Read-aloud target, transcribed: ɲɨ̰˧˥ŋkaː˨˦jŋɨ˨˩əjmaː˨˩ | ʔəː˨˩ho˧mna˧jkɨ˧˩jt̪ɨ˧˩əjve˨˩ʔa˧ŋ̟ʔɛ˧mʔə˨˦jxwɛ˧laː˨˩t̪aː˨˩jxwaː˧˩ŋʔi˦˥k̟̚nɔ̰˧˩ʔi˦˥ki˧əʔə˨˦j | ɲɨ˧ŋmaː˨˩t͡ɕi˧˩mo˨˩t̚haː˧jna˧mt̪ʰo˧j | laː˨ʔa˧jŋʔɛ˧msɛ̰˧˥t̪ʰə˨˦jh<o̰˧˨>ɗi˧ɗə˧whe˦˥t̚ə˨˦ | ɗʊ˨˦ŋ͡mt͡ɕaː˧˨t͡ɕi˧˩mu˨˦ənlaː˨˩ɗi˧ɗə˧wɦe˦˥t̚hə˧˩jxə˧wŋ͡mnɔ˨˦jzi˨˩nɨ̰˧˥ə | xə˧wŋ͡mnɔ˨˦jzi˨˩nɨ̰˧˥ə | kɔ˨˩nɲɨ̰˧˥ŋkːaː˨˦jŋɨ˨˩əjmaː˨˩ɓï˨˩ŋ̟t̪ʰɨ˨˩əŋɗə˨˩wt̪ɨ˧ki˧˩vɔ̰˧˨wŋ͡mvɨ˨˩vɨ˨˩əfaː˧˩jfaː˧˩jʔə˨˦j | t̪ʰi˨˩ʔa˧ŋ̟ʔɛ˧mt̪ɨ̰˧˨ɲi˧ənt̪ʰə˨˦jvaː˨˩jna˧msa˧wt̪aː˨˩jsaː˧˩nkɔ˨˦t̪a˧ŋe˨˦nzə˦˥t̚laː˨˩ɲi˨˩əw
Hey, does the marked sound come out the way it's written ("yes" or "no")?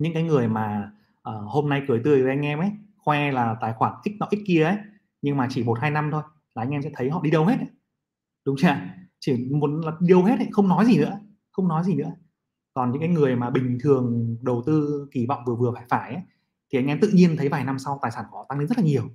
no